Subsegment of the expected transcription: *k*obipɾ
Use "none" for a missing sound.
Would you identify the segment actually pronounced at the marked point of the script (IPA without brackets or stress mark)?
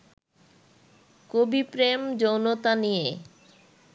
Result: k